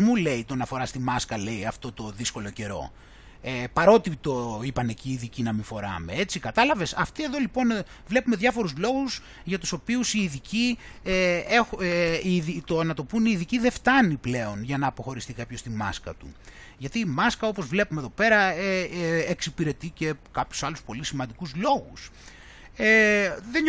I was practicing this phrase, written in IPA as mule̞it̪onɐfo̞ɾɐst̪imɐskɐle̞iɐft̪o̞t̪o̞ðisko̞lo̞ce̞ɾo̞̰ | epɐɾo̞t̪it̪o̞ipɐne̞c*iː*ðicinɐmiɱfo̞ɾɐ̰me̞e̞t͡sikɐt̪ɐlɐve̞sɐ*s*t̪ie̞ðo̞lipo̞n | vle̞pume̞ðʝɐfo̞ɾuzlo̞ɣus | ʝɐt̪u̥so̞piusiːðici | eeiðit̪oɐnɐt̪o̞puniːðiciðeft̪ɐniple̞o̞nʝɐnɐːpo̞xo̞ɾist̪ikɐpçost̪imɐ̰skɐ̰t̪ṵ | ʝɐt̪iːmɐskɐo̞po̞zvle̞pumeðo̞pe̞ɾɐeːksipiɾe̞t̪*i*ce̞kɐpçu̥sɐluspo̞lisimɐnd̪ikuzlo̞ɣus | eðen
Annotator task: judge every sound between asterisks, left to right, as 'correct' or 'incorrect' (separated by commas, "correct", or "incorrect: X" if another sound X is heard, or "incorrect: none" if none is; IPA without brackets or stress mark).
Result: correct, incorrect: f, correct